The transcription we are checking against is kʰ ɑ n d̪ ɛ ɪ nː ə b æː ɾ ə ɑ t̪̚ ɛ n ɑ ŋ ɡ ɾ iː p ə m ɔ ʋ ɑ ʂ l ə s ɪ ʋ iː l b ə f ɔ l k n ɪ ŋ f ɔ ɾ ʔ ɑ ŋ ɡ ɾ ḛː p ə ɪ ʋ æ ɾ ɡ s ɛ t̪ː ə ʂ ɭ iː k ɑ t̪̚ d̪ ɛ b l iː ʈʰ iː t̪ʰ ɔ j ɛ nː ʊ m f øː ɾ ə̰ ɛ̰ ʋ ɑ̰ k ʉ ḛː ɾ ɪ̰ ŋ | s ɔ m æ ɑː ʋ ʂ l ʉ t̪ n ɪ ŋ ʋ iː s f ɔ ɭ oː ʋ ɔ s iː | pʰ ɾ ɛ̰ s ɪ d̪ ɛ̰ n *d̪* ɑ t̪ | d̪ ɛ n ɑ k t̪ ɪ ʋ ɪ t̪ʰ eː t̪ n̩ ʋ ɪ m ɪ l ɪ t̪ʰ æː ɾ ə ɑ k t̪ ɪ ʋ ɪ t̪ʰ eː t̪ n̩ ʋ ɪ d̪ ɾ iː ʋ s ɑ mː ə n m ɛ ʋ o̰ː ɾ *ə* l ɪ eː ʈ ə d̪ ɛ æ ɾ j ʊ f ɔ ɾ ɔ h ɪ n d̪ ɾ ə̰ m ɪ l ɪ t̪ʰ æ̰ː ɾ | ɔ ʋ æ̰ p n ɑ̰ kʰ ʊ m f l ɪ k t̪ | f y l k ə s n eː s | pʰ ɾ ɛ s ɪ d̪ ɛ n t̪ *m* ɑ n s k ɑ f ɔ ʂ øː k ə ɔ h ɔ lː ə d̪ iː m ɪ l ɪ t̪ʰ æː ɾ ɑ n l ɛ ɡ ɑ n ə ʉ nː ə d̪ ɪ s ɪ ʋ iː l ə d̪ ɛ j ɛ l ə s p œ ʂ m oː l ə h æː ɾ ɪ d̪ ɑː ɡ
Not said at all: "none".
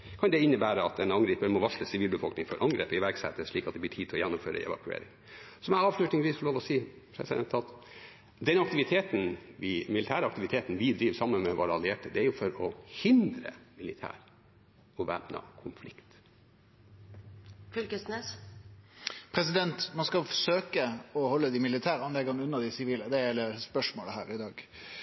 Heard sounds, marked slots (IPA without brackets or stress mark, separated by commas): t̪, ɑ, m